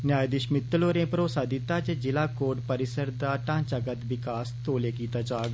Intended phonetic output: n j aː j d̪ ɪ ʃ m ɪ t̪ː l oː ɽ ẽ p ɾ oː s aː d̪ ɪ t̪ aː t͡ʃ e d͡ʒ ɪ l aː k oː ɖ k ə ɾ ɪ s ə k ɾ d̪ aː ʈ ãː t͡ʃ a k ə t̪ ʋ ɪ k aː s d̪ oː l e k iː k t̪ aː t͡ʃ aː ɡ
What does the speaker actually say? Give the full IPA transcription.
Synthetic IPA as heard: n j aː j d̪ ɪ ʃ m ɪ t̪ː l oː ɾ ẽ p ɾ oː s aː d̪ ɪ t̪ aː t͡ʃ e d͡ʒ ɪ l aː k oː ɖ p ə ɾ ɪ s ə ɾ d̪ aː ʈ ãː t͡ʃ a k ə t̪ ʋ ɪ k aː s t̪ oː l e k iː t̪ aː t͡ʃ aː ɡ